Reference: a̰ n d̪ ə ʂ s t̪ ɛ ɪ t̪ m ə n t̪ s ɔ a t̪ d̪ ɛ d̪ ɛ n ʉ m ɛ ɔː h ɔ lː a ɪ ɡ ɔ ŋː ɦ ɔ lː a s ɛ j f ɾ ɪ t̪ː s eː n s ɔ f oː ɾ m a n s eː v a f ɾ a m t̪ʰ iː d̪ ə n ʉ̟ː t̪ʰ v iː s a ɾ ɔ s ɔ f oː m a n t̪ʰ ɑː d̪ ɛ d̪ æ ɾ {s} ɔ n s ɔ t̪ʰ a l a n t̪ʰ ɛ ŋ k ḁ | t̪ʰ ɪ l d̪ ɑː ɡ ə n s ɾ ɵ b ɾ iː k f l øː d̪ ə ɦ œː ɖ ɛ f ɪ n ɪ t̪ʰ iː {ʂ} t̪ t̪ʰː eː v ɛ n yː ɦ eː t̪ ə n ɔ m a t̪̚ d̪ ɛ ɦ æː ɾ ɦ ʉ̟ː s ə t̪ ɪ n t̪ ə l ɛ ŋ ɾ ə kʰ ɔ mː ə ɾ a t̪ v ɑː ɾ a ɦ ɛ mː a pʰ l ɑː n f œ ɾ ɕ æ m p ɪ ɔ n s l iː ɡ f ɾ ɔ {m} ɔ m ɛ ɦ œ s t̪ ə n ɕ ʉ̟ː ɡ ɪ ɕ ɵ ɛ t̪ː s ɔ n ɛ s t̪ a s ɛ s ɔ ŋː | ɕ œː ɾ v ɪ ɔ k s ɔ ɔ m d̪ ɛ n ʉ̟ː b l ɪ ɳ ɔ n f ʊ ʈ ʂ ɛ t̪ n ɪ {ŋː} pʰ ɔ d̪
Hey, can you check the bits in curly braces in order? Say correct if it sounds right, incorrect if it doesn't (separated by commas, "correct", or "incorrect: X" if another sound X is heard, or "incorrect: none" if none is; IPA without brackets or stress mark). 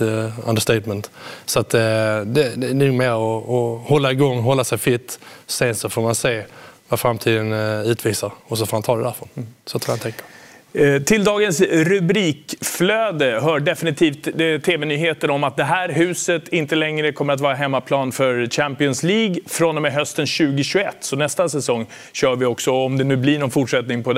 incorrect: f, incorrect: f, incorrect: n, incorrect: ŋ